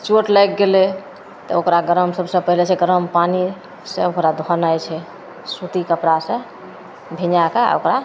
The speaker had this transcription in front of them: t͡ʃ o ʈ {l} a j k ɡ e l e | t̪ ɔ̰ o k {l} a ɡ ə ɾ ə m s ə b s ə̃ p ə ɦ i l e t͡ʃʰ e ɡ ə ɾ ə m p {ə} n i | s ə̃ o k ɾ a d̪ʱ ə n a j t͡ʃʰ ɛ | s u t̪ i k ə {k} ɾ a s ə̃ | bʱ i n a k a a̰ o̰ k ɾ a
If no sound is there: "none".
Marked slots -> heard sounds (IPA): l, ɾ, a, p

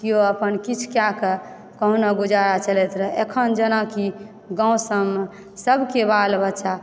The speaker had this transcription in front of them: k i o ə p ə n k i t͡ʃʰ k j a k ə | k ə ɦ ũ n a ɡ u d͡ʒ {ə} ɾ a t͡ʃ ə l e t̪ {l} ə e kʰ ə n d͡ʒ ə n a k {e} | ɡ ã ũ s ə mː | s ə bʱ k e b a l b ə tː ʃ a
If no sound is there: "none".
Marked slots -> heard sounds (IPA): a, ɾ, i

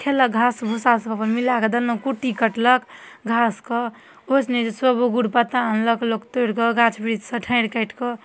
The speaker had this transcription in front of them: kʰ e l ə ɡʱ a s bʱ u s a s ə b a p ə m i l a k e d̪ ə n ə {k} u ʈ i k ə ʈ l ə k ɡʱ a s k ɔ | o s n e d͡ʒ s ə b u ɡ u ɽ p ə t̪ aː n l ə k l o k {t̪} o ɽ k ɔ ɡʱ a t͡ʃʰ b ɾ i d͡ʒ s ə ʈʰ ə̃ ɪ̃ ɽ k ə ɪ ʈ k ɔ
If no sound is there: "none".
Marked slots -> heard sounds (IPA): k, t̪

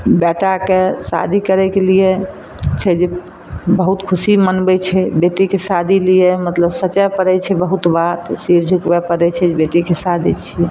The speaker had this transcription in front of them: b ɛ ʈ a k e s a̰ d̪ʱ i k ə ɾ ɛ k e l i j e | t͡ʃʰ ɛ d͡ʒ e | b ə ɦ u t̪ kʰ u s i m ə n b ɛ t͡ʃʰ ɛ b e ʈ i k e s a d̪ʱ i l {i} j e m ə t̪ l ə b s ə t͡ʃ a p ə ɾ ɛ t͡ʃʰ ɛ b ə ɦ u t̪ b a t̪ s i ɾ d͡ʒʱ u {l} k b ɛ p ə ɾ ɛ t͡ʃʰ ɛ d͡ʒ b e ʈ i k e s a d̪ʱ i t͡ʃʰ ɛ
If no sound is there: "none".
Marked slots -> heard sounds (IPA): i, none

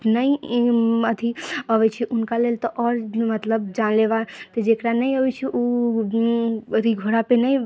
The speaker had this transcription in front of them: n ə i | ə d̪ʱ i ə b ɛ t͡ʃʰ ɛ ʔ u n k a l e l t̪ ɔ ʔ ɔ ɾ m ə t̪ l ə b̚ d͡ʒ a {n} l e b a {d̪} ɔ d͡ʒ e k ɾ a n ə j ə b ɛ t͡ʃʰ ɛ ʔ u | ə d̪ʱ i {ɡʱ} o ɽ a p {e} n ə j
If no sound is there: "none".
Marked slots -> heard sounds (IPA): n, t̪, ɡʱ, e

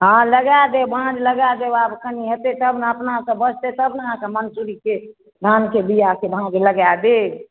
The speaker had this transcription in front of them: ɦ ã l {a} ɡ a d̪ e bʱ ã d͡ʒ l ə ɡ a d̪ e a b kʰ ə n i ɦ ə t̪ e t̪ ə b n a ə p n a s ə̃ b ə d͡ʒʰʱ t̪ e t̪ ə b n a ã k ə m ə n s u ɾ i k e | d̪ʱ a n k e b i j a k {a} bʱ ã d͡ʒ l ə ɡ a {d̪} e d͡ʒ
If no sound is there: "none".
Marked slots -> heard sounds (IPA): ə, e, d̪

